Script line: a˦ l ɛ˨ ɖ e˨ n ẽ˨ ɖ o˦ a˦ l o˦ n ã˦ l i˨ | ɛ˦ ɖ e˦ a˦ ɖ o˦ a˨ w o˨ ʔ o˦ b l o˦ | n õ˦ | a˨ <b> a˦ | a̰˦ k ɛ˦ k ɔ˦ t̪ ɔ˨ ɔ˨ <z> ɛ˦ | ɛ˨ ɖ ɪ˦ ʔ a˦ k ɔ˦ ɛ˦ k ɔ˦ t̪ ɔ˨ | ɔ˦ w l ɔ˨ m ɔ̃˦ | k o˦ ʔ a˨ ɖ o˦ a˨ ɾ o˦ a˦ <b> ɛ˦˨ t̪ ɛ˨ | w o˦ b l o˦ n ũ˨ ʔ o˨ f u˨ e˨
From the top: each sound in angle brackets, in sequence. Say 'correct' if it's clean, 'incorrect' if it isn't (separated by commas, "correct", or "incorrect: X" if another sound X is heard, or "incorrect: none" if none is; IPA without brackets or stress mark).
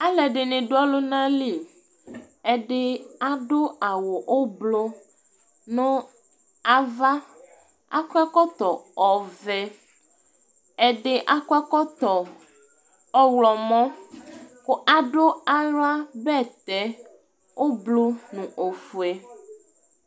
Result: incorrect: v, incorrect: v, correct